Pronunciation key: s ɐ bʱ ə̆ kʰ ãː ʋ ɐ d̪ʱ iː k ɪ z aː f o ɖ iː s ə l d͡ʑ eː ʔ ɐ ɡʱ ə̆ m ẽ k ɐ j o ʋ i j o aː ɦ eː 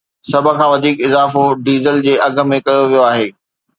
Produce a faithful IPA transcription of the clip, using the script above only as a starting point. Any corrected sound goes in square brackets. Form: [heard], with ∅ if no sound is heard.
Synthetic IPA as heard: s ɐ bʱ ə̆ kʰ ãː ʋ ɐ d̪ʱ iː k ɪ z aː f o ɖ iː [z] ə l d͡ʑ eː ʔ ɐ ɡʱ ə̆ m ẽ k ɐ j o ʋ i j o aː ɦ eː